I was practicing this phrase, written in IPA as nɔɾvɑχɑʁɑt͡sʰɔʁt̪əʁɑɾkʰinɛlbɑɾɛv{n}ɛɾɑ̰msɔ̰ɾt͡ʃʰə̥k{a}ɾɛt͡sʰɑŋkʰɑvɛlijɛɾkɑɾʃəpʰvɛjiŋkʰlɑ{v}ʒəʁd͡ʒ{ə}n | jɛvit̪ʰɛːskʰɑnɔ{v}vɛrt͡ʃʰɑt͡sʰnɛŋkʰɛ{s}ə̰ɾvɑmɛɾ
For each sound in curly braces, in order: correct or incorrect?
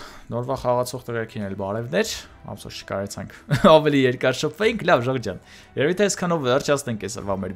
correct, incorrect: ɑ, correct, incorrect: ɑ, correct, correct

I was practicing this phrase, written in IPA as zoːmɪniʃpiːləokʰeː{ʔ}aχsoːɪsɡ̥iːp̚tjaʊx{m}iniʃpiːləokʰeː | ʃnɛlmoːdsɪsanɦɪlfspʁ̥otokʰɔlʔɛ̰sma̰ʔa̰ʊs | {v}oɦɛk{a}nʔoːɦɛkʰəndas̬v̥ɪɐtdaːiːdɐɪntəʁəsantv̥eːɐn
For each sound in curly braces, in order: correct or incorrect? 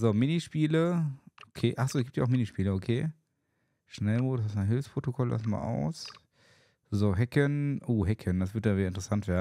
correct, correct, incorrect: z, incorrect: ə

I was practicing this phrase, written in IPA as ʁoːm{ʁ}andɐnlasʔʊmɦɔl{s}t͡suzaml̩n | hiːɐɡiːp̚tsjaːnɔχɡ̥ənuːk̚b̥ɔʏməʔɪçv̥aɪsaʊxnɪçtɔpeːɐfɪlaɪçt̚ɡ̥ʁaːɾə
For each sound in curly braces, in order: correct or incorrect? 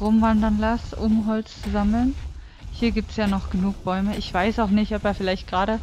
incorrect: v, incorrect: t͡s

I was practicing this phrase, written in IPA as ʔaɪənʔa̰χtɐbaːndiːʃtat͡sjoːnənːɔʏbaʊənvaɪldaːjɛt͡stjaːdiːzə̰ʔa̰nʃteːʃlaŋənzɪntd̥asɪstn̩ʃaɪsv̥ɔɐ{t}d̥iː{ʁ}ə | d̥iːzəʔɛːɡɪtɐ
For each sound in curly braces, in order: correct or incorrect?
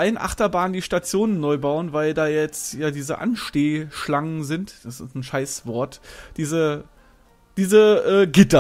correct, incorrect: z

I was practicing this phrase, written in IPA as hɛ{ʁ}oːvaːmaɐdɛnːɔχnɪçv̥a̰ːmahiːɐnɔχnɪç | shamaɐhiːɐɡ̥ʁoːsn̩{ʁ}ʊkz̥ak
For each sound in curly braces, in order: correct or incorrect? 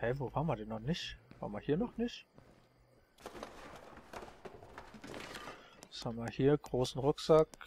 incorrect: v, correct

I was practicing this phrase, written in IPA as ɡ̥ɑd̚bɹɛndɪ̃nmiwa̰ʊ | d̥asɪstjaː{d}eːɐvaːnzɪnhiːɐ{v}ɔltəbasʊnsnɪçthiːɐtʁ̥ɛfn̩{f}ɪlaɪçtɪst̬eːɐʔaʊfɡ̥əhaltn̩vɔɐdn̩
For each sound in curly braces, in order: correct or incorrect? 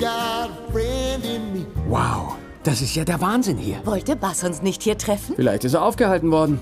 correct, correct, correct

